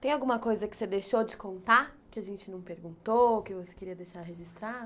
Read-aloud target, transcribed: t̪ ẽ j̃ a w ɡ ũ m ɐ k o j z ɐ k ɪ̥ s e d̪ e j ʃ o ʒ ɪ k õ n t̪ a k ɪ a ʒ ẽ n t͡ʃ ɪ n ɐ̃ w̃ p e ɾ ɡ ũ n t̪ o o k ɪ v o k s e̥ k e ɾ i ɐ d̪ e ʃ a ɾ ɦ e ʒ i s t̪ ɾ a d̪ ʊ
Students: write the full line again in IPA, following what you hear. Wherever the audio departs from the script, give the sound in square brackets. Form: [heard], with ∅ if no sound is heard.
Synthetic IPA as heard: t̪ ẽ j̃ a w ɡ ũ m ɐ k o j z ɐ k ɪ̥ s e d̪ e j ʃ o [d͡ʒ] ɪ k õ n t̪ a k ɪ a ʒ ẽ n t͡ʃ ɪ n ɐ̃ w̃ p e ɾ ɡ ũ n t̪ o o k ɪ v o [∅] s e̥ k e ɾ i ɐ d̪ e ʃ a ɾ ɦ e ʒ i s t̪ ɾ a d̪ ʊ